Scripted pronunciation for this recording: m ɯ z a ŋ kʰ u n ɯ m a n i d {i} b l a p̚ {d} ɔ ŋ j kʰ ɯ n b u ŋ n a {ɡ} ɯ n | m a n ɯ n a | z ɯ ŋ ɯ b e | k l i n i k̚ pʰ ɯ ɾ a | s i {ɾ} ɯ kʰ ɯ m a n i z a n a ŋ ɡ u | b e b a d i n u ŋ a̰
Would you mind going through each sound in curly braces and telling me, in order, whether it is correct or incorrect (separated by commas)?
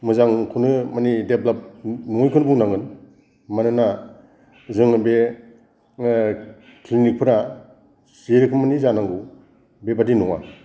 incorrect, incorrect, incorrect, correct